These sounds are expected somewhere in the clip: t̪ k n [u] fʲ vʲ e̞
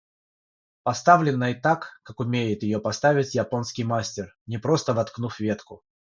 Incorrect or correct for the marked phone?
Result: correct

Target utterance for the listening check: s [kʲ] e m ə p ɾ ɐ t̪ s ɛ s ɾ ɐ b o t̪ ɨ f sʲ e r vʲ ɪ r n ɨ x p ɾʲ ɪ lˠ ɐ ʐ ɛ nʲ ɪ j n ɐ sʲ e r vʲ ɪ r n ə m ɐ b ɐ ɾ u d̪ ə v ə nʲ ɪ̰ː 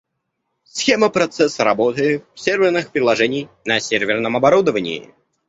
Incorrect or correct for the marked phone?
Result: incorrect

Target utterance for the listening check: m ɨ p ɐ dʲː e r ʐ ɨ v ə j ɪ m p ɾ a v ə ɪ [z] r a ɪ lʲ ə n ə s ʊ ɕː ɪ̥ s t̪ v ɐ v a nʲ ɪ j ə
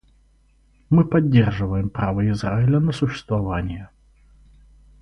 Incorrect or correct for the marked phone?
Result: correct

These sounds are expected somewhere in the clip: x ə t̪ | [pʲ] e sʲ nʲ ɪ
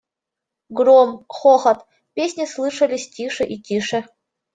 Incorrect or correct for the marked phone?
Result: correct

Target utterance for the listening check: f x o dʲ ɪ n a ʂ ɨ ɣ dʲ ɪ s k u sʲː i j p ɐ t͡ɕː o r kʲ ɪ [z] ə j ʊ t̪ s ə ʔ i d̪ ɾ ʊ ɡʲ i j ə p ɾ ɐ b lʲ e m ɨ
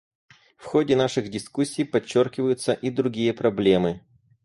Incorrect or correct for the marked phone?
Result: incorrect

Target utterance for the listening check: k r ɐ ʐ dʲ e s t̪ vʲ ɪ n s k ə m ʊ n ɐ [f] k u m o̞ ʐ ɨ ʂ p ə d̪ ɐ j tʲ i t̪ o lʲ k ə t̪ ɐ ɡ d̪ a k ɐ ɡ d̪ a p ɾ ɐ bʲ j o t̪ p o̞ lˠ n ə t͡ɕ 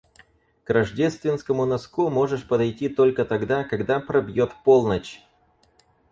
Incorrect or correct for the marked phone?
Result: incorrect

